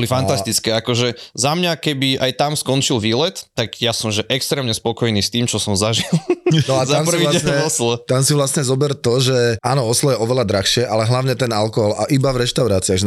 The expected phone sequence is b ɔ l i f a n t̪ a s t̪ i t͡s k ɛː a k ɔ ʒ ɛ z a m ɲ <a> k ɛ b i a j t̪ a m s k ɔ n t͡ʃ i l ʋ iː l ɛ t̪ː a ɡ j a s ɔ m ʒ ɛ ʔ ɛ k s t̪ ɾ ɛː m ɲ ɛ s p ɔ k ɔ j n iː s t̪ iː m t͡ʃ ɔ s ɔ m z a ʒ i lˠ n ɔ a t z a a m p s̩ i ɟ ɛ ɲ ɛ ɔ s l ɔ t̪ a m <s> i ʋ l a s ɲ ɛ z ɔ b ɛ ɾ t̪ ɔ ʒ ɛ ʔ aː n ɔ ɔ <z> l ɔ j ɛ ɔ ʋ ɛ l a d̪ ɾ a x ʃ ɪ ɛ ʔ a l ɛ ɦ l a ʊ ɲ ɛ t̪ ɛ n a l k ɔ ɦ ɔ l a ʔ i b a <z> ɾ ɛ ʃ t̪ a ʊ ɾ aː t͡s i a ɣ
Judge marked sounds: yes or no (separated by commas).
yes, yes, no, no